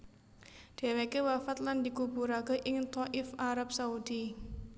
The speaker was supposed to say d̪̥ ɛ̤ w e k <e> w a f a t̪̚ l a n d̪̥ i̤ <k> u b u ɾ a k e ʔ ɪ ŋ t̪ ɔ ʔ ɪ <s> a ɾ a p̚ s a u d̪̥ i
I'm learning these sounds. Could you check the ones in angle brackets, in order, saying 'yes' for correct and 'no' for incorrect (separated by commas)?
yes, yes, no